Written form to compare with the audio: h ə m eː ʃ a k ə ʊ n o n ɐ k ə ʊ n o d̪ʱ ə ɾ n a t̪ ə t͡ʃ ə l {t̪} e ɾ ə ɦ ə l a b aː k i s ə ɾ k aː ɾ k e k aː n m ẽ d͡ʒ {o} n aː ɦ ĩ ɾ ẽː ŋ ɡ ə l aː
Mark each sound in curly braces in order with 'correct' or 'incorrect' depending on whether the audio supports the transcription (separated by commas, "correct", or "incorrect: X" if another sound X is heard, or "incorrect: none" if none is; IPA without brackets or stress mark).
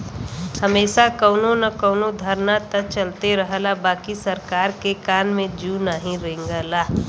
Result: correct, incorrect: u